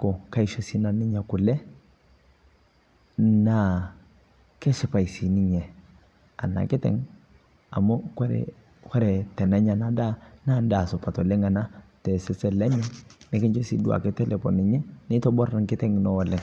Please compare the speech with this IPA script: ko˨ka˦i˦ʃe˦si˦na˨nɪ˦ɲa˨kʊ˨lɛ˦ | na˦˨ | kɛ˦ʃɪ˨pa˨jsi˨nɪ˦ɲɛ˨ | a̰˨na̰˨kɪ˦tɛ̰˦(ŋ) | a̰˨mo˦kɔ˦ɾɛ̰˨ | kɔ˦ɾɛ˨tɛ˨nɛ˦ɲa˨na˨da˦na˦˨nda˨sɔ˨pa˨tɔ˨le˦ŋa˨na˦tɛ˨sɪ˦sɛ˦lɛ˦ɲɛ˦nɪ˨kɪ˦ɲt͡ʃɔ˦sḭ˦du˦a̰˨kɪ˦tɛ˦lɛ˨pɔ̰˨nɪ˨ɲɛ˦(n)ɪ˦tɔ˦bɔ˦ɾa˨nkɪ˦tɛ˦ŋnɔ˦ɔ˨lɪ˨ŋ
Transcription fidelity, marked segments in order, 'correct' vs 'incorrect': correct, correct

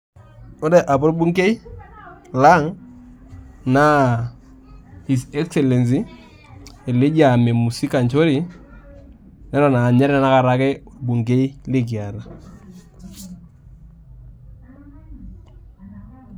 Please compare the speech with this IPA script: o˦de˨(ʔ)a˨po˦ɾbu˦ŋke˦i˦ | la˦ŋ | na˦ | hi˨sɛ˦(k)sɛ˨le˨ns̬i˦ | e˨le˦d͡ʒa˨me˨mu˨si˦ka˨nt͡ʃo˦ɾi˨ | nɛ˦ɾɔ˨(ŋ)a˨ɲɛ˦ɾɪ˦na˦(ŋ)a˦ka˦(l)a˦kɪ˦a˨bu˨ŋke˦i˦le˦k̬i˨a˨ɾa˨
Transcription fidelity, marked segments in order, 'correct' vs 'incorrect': correct, correct, incorrect, incorrect, incorrect

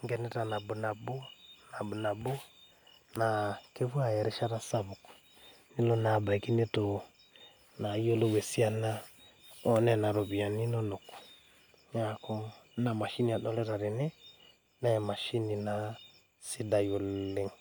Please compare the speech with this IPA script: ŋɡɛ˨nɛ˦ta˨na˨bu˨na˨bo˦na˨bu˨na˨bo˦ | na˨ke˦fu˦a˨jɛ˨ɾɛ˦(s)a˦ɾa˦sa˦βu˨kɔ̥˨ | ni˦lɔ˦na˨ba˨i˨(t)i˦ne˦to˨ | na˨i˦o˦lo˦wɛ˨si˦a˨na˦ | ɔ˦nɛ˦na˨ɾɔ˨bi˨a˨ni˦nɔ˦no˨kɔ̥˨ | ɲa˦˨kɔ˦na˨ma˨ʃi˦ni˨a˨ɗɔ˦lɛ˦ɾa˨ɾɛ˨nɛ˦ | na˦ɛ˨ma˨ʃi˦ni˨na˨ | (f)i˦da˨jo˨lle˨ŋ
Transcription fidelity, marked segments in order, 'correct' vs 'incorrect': incorrect, incorrect, incorrect

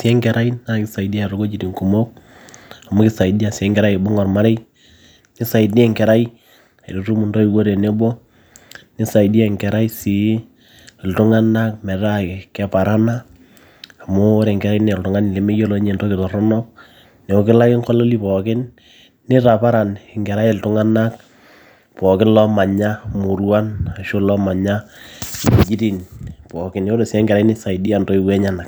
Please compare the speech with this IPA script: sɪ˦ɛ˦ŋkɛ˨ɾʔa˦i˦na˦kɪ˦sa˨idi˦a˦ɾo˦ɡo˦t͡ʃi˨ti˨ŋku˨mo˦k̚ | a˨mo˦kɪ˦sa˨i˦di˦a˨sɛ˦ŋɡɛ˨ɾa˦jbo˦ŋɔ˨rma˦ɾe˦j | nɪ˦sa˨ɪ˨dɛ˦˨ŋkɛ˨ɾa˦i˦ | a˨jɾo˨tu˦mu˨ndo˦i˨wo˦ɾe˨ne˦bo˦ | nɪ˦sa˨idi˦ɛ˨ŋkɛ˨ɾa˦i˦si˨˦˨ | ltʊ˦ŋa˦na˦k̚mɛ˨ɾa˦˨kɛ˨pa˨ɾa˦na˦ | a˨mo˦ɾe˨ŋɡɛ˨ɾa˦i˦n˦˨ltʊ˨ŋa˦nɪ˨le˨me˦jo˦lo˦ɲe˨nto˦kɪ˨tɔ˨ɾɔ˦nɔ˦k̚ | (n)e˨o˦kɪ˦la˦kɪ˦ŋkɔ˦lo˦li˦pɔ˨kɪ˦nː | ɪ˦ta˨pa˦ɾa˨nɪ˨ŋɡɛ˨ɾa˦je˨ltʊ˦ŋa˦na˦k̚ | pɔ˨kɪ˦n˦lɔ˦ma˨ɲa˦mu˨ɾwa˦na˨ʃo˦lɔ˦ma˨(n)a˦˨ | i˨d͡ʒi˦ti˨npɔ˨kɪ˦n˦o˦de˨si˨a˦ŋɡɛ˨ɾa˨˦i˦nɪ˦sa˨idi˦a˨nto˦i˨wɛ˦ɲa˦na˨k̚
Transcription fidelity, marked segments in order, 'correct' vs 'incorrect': correct, incorrect

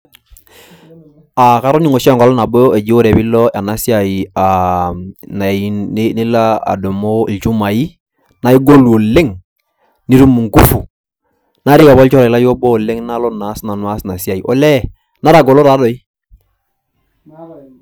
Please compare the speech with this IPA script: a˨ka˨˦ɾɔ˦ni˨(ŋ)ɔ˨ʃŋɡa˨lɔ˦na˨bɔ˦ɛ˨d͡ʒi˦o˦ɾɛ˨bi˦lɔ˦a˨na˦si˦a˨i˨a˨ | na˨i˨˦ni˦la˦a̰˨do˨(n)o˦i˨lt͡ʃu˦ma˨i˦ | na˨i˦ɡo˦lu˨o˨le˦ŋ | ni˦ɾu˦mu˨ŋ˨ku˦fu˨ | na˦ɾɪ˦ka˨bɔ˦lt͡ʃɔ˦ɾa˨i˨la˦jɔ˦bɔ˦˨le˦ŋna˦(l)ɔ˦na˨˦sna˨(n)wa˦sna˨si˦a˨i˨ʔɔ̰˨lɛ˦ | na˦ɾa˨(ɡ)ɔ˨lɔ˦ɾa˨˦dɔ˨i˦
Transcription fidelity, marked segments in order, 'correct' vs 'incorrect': correct, incorrect, correct, correct, correct

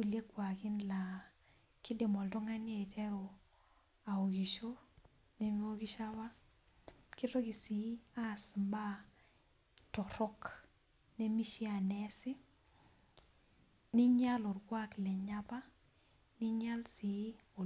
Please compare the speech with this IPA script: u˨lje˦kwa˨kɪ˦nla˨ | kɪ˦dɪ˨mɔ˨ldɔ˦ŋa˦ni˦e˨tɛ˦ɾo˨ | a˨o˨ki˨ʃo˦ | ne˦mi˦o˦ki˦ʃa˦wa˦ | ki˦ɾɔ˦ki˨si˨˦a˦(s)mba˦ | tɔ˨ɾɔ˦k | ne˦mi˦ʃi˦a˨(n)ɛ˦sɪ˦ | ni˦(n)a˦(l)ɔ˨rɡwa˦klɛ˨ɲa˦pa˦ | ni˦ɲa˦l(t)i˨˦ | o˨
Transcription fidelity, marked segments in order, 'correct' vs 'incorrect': correct, correct, incorrect, correct, incorrect

